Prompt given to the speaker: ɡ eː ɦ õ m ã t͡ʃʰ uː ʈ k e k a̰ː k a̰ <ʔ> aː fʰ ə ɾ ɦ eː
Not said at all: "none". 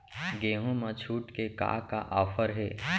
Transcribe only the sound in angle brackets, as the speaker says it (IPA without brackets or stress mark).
ʔ